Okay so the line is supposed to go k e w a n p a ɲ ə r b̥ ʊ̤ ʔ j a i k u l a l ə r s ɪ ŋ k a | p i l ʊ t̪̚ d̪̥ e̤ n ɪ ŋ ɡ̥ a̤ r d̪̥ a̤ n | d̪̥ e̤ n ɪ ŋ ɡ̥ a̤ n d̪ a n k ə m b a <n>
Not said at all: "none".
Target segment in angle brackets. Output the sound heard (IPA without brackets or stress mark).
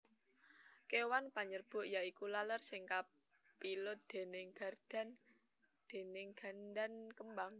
ŋ